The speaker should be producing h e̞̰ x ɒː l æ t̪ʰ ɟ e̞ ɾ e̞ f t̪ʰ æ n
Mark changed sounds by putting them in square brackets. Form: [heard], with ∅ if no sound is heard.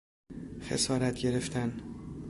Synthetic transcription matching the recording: [x] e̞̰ [s] ɒː [ɾ] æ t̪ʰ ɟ e̞ ɾ e̞ f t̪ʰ æ n